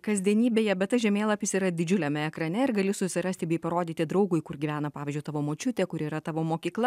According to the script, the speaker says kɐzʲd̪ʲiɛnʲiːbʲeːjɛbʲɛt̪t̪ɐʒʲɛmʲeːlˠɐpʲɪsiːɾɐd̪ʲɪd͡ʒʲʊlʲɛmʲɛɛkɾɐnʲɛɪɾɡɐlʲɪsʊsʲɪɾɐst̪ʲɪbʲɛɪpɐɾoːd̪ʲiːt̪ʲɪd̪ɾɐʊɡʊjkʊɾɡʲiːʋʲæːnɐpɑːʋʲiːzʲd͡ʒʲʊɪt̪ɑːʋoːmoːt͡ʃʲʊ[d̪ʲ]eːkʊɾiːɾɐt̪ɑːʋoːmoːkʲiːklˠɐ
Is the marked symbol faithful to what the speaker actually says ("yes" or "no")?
no